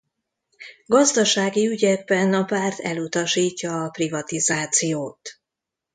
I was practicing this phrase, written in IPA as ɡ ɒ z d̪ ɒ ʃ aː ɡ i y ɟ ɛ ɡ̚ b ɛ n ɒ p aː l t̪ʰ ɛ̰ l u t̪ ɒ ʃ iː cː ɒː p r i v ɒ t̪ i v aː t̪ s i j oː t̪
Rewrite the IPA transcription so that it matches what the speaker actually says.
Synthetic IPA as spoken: ɡ ɒ z d̪ ɒ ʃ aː ɡ i y ɟ ɛ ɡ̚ b ɛ n ɒ p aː r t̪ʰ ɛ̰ l u t̪ ɒ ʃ iː cː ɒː p r i v ɒ t̪ i z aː t̪ s i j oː t̪